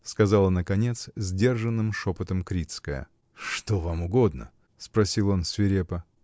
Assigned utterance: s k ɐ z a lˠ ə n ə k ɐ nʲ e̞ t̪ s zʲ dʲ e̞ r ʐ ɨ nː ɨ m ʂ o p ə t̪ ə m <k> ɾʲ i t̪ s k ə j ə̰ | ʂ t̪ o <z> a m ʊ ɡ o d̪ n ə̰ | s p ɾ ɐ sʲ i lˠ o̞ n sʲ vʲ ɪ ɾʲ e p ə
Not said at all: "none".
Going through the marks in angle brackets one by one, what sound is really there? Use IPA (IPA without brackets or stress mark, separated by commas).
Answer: k, v